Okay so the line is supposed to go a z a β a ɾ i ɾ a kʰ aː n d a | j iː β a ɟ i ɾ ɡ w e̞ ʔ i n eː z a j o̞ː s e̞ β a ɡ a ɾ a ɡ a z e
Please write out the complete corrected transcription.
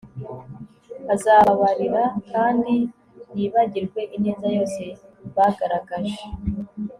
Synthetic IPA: a z a β a ɾ i ɾ a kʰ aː n d i | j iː β a ɟ i ɾ ɡ w e̞ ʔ i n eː z a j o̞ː s e̞ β a ɡ a ɾ a ɡ a ʒ e